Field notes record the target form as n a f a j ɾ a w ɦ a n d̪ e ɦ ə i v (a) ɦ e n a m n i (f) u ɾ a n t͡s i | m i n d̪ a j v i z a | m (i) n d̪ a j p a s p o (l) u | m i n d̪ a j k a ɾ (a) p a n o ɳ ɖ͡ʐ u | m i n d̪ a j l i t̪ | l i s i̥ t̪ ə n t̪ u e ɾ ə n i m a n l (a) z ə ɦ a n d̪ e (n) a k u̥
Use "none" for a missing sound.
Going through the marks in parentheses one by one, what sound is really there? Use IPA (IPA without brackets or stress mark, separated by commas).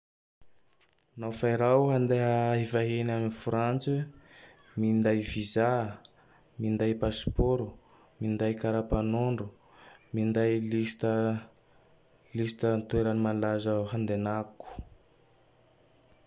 a, f, i, ɾ, a, a, n